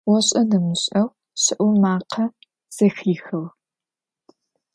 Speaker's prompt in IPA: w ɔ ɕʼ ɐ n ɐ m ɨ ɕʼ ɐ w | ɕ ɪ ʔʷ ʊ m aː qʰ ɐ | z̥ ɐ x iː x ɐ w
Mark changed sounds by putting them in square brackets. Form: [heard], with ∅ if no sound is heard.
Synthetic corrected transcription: w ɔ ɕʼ ɐ n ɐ m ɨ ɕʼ ɐ w | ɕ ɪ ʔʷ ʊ m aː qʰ ɐ | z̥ ɐ x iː x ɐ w